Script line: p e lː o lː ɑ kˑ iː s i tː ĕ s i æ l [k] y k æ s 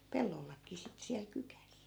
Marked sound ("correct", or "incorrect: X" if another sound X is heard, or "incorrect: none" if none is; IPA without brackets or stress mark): correct